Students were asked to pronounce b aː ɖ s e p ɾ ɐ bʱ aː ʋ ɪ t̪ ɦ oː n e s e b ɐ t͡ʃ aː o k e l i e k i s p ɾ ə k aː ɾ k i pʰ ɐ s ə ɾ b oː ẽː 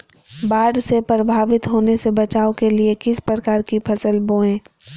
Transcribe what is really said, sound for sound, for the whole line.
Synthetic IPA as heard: b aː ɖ s e p ɾ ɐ bʱ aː ʋ ɪ t̪ ɦ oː n e s e b ɐ t͡ʃ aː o k e l i e k ɪ s p ɾ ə k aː ɾ k i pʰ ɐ s ə l b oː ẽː